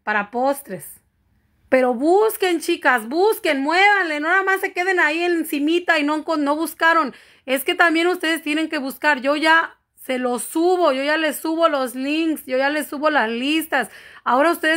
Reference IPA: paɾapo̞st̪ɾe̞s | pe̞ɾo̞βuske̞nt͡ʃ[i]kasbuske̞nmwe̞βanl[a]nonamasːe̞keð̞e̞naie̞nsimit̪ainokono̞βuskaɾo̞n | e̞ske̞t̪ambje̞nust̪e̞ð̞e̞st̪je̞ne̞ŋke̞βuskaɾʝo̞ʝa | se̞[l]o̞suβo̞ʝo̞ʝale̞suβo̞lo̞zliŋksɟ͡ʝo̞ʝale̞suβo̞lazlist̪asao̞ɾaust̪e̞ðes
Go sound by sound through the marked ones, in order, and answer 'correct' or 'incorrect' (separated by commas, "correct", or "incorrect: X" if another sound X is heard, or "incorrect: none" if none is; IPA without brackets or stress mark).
correct, incorrect: e, correct